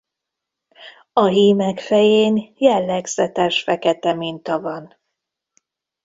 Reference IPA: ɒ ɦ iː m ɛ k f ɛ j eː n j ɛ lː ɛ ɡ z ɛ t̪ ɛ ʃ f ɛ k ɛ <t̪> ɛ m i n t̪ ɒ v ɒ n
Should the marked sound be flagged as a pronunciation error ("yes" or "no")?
no